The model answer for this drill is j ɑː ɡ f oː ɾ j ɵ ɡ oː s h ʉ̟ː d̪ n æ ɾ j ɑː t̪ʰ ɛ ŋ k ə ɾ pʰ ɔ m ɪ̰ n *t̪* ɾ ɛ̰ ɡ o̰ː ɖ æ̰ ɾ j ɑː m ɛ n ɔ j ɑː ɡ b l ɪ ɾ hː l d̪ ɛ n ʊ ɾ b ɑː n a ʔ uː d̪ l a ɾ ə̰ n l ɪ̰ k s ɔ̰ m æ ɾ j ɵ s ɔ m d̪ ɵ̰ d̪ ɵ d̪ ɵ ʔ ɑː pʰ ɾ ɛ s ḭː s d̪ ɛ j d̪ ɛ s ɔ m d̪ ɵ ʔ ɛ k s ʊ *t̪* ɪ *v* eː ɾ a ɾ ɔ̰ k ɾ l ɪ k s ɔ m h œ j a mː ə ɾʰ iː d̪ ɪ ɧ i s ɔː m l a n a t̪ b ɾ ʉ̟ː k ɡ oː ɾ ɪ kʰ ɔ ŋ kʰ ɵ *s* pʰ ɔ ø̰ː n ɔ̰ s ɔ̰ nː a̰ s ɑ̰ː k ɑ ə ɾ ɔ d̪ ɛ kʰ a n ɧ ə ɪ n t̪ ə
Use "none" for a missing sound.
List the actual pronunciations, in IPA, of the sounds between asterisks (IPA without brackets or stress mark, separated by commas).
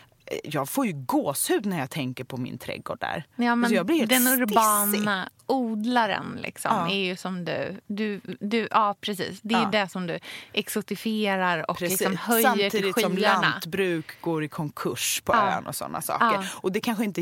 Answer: t̪ʰ, t̪, f, ʂ